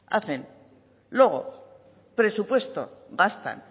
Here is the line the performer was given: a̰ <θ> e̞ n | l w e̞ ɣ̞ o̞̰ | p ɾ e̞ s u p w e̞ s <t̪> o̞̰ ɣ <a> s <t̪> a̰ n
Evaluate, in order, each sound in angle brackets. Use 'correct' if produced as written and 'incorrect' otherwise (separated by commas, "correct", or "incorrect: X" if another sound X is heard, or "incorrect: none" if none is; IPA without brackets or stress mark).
correct, correct, correct, correct